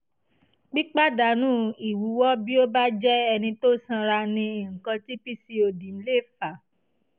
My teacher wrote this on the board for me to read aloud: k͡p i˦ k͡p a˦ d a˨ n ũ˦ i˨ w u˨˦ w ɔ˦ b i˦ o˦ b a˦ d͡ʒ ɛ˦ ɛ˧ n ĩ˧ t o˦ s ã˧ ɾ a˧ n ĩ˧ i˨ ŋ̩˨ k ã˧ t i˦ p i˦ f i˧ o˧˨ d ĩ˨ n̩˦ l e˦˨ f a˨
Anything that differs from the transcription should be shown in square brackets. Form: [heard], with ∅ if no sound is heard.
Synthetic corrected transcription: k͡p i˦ k͡p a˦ d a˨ n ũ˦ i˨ w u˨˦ w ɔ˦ b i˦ o˦ b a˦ d͡ʒ ɛ˦ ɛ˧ n ĩ˧ t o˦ s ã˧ ɾ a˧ n ĩ˧ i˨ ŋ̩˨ k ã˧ t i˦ p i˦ [s] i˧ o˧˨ d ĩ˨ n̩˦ l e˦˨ f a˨